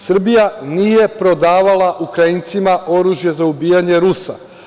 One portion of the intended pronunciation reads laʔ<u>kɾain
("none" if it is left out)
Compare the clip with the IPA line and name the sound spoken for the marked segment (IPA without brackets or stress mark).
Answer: u